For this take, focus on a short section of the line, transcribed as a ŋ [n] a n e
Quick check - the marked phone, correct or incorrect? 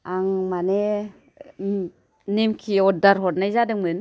incorrect: m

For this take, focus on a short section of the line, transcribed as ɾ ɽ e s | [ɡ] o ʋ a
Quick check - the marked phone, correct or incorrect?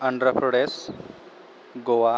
correct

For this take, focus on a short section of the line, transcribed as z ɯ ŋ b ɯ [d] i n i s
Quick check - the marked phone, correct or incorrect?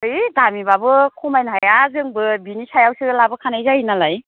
incorrect: b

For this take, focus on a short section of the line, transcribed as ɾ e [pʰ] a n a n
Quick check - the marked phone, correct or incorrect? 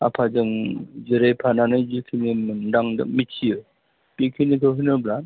correct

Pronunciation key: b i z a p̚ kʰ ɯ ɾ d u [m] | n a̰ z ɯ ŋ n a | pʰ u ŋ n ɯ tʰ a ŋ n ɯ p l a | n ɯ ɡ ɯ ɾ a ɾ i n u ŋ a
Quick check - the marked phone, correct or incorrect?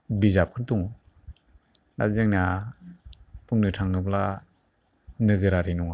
incorrect: ŋ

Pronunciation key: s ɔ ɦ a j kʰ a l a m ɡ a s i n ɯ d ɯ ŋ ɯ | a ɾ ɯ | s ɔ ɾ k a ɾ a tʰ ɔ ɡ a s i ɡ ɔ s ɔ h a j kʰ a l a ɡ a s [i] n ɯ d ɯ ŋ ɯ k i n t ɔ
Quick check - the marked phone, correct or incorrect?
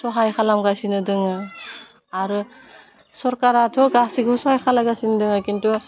correct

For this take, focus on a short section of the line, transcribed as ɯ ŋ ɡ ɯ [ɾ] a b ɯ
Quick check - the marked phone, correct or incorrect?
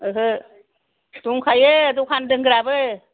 correct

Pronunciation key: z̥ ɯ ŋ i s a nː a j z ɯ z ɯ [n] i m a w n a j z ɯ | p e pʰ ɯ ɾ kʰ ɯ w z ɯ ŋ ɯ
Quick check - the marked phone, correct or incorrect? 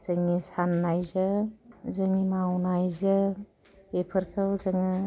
incorrect: ŋ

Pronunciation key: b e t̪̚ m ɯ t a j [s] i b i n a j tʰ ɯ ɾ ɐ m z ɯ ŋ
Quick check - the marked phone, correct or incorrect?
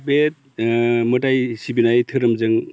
correct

